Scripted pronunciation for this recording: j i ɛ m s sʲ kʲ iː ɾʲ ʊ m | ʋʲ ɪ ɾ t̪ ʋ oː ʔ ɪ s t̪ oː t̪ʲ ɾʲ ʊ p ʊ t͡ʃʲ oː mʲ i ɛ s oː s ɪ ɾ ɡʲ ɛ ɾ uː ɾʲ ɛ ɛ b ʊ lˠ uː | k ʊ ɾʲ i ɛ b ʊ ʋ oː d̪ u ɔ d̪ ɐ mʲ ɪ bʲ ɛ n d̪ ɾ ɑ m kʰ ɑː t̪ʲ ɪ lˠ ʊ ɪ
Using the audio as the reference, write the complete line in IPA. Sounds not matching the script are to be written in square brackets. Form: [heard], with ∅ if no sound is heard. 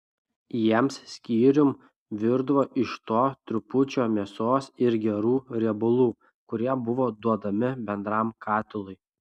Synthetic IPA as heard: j i ɛ m s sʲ kʲ iː ɾʲ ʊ m | ʋʲ ɪ ɾ [d̪] ʋ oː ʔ ɪ [ʃ] t̪ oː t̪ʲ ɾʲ ʊ p ʊ t͡ʃʲ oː mʲ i ɛ s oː s ɪ ɾ ɡʲ ɛ ɾ uː ɾʲ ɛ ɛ b ʊ lˠ uː | k ʊ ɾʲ i ɛ b ʊ ʋ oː d̪ u ɔ d̪ ɐ mʲ ɪ bʲ ɛ n d̪ ɾ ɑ m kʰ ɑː t̪ʲ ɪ lˠ ʊ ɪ